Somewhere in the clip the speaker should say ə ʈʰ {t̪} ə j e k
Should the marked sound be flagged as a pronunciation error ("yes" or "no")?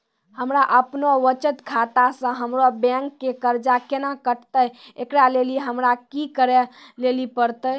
no